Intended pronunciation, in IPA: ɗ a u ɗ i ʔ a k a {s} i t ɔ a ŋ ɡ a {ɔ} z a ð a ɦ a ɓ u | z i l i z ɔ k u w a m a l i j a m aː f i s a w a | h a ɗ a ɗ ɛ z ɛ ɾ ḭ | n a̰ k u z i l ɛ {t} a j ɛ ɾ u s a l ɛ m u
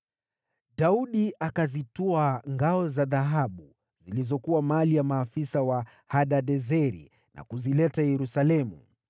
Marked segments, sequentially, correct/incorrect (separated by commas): incorrect, correct, correct